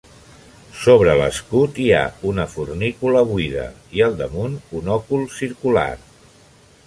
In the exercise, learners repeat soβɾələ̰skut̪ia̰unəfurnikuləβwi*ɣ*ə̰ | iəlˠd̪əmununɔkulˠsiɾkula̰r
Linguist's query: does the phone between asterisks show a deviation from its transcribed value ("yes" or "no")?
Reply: yes